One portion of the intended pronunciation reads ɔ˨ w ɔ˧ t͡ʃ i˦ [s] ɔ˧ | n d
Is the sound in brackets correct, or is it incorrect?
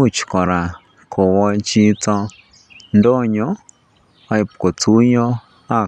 incorrect: t͡s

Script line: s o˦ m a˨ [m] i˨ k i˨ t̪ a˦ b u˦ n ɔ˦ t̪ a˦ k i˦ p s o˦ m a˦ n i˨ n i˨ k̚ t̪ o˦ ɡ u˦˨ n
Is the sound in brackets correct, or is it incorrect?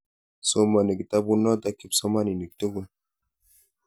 incorrect: n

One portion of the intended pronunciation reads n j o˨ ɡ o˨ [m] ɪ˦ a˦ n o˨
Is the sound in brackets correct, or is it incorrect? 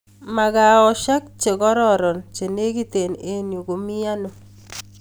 correct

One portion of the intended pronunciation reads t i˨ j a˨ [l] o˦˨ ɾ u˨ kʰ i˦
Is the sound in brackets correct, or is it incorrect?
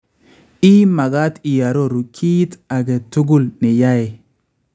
incorrect: ɾ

